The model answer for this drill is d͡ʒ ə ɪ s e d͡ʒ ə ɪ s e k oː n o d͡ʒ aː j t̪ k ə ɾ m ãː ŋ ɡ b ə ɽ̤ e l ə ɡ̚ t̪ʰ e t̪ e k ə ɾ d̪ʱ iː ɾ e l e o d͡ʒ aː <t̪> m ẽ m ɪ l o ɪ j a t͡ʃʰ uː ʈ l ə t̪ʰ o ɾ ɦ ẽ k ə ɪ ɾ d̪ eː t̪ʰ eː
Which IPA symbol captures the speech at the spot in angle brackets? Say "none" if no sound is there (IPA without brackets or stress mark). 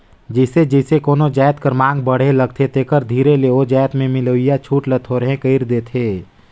t̪